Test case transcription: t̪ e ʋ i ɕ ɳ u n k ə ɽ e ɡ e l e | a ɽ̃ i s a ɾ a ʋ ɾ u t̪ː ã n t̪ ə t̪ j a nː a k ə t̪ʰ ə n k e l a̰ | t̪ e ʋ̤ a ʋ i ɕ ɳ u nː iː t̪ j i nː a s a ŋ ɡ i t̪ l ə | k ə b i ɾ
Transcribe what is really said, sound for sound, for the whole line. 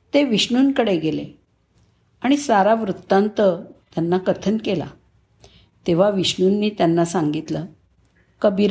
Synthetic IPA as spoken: t̪ e ʋ i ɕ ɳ u n k ə ɽ e ɡ e l e | a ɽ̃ i s a ɾ a ʋ ɾ u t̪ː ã n t̪ ə t̪ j a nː a k ə t̪ʰ ə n k e l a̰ | t̪ e ʋ̤ a ʋ i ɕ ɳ u nː iː t̪ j a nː a s a ŋ ɡ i t̪ l ə | k ə b i ɾ